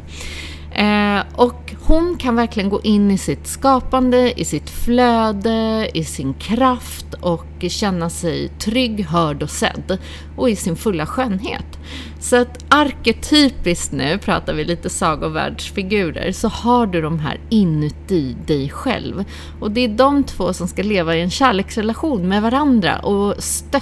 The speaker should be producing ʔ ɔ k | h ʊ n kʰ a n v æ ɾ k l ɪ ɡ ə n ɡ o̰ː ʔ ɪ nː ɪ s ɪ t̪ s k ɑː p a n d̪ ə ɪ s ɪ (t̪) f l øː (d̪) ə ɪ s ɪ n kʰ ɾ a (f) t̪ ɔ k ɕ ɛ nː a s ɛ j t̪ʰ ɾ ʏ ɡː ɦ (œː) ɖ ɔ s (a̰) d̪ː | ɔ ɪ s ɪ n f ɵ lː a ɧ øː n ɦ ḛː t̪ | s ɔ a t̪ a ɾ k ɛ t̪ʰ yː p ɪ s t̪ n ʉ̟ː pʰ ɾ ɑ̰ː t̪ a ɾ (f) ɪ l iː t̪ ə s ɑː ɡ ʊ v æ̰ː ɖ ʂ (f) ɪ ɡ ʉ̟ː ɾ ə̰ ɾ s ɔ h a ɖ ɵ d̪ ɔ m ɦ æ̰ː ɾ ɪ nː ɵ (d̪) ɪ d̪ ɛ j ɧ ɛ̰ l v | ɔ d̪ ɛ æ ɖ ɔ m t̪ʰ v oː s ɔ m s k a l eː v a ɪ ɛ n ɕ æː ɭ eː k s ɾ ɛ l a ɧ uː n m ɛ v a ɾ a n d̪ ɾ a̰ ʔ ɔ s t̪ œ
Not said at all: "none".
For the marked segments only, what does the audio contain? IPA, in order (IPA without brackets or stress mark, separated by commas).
t̪, d̪, f, œː, ɛ̰, v, f, t̪